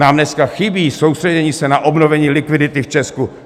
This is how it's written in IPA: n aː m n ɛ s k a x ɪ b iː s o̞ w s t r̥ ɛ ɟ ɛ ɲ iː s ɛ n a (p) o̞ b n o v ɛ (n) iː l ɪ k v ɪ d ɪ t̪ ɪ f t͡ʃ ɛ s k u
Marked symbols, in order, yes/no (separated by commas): no, no